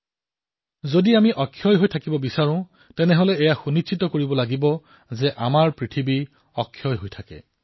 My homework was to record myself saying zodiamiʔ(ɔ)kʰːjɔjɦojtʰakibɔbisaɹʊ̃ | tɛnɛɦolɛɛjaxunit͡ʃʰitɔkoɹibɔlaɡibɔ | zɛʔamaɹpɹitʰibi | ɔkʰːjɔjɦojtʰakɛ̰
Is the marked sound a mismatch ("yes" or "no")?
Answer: no